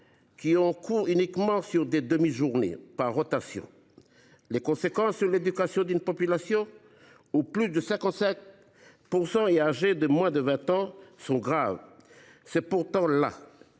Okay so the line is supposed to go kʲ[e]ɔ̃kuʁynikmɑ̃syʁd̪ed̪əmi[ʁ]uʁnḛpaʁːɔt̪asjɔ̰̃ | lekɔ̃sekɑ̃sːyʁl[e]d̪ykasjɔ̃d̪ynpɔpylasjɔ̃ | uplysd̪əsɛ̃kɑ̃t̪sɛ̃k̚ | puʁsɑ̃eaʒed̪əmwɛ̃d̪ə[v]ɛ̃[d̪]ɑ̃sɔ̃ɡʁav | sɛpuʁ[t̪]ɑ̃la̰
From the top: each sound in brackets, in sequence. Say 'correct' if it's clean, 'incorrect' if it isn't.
incorrect: i, incorrect: ʒ, correct, correct, incorrect: t̪, correct

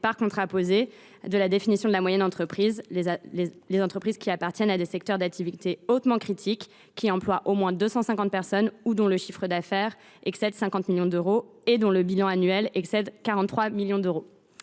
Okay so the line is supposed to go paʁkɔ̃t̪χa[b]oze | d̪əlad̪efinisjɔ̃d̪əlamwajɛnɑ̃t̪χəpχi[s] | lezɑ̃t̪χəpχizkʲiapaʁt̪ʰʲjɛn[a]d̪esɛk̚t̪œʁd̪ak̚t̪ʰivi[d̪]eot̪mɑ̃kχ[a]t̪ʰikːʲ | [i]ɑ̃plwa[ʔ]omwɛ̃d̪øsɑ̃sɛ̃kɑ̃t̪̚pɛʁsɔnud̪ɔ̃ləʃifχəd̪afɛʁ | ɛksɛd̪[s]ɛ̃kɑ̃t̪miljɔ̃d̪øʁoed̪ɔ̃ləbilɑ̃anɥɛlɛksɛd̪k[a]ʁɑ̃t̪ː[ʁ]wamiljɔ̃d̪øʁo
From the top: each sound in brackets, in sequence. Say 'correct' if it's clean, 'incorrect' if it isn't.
incorrect: p, incorrect: z, correct, incorrect: t̪, incorrect: i, correct, correct, correct, correct, incorrect: χ

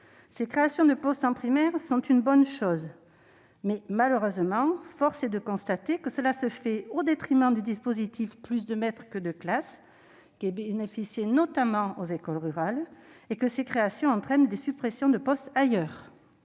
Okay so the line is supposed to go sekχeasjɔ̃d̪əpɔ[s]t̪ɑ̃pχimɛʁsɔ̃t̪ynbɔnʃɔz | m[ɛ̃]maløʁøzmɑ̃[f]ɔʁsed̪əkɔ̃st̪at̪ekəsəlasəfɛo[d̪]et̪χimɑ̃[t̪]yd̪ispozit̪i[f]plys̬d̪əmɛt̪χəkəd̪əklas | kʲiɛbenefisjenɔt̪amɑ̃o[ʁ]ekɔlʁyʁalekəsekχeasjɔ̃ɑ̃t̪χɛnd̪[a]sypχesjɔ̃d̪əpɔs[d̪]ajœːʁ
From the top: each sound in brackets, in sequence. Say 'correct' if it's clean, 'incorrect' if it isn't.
correct, incorrect: ɛ, correct, correct, incorrect: d̪, correct, incorrect: z, incorrect: e, incorrect: t̪

